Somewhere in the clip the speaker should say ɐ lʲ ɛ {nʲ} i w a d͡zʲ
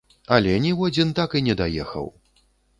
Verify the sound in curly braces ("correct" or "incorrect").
correct